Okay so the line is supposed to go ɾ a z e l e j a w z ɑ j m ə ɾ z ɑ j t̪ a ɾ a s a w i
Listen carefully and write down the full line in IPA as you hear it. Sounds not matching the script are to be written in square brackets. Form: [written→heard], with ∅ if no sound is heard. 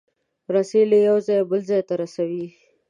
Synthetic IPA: ɾ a [z→s] e l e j a w z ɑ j [m→b] ə [ɾ→l] z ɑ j t̪ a ɾ a s a w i